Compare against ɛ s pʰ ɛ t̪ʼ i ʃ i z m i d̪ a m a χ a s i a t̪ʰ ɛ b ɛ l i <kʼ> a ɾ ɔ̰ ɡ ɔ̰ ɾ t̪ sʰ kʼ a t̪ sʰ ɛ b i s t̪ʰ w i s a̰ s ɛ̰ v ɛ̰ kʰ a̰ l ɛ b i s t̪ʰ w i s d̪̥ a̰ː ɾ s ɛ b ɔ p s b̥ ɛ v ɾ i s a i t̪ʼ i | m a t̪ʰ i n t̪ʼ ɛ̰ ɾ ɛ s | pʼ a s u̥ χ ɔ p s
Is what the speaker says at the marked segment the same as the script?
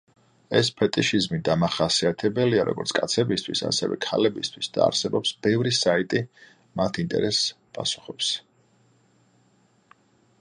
no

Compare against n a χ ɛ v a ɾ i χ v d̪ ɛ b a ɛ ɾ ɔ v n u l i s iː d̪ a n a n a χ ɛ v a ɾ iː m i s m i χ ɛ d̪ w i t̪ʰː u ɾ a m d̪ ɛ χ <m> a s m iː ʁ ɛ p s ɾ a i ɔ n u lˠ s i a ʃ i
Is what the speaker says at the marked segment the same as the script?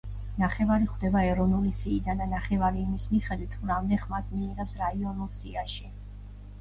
yes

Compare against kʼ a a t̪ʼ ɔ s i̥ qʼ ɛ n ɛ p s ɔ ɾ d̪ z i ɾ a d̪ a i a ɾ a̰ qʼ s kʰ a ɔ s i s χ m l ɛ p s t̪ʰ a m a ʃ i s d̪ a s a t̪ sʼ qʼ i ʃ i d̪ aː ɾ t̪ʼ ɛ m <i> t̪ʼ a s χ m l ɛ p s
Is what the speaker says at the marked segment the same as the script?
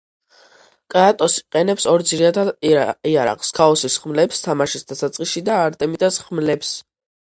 yes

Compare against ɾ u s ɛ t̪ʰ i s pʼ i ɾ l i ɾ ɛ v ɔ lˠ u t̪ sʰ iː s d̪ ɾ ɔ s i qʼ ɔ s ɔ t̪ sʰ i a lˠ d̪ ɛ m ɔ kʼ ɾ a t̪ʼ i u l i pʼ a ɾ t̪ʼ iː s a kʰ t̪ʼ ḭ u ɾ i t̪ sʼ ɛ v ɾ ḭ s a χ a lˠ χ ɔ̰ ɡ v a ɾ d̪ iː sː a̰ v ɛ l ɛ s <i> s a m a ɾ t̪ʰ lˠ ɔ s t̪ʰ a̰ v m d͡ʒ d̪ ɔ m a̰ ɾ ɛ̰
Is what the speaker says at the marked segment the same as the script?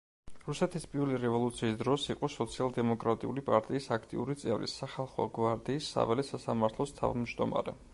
no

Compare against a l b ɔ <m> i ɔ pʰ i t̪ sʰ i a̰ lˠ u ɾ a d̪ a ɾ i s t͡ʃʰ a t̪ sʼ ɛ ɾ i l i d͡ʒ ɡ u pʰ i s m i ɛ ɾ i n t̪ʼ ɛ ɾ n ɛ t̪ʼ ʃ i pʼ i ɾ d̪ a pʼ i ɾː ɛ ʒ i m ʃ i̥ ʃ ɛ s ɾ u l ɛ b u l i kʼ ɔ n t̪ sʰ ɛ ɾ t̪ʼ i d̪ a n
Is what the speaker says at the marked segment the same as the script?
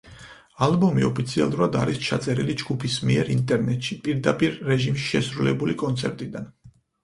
yes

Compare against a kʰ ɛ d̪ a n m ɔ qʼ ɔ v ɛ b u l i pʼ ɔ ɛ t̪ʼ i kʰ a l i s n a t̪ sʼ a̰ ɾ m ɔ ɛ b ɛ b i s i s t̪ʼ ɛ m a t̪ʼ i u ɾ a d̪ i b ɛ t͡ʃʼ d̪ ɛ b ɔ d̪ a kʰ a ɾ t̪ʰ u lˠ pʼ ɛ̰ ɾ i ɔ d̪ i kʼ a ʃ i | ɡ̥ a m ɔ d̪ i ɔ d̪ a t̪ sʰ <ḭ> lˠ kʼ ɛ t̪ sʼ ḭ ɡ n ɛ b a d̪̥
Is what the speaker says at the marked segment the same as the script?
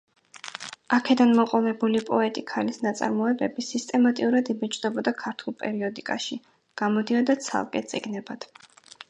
no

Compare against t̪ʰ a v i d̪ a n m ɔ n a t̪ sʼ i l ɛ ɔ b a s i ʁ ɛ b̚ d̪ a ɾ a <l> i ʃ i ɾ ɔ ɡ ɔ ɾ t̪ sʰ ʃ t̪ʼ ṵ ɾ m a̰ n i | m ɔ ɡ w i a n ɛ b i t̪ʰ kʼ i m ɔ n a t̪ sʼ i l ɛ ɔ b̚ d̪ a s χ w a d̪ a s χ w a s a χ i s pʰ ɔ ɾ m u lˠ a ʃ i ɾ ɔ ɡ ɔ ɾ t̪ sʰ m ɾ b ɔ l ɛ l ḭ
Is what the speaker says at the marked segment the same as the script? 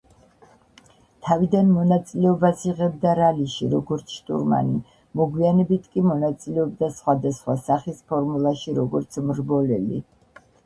yes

